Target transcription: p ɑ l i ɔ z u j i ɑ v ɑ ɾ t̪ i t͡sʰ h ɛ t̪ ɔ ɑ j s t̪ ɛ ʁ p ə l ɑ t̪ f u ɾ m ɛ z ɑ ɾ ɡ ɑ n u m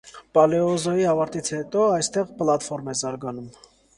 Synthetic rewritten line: p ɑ l ɛ ɔ z ɔ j i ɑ v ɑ ɾ t̪ i t͡sʰ h ɛ t̪ ɔ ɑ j s t̪ ɛ ʁ p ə l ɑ t̪ f ɔ ɾ m ɛ z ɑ ɾ ɡ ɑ n u m